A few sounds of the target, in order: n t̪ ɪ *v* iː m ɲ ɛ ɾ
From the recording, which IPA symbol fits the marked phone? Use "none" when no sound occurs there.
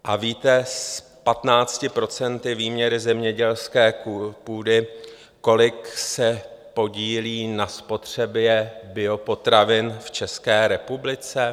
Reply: v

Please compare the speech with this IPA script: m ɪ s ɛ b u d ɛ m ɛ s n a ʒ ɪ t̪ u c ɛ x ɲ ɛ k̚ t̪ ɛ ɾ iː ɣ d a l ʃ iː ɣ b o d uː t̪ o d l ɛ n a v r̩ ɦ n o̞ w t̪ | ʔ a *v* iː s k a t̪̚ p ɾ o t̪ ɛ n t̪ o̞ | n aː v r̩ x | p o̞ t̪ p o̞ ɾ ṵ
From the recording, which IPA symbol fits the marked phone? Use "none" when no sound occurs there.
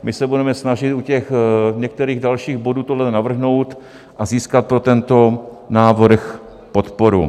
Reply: z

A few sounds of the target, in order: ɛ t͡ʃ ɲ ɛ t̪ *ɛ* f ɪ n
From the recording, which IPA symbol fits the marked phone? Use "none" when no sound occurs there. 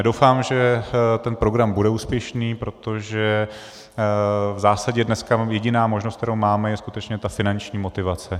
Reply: a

